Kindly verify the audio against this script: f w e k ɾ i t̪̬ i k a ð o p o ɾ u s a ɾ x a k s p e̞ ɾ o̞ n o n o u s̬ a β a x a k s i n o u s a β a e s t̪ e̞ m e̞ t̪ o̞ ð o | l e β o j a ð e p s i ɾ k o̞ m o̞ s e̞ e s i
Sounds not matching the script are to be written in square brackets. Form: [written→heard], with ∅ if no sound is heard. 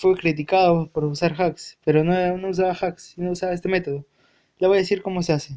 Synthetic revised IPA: f w e k ɾ i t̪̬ i k a ð o p o ɾ u s a ɾ x a k s p e̞ ɾ o̞ n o n o u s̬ a β a x a k s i n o u s a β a e s t̪ e̞ m e̞ t̪ o̞ ð o | l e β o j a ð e [p→∅] s i ɾ k o̞ m o̞ s e̞ [e→a] s [i→e]